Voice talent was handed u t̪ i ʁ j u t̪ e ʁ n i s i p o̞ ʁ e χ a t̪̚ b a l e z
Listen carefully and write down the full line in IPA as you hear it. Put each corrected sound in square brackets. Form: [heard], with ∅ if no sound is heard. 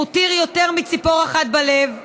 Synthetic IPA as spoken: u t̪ i ʁ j [o] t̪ e ʁ [m] i [t͡s] i p o̞ ʁ [a] χ a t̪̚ b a l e [v]